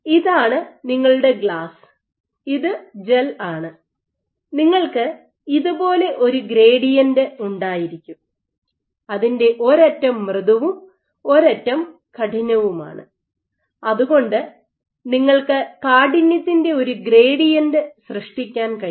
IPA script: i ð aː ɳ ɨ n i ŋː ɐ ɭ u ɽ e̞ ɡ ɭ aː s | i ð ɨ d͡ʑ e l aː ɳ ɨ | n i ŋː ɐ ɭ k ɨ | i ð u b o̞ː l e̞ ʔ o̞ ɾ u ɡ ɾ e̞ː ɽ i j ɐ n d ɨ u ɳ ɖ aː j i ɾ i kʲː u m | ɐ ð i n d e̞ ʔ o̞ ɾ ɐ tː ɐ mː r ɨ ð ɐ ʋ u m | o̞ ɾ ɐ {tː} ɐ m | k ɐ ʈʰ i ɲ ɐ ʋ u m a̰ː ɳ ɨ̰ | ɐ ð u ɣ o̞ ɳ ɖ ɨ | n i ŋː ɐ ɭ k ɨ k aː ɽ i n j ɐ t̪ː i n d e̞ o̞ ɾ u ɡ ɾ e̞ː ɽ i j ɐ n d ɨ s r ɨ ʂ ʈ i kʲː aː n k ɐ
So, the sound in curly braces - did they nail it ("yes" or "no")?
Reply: yes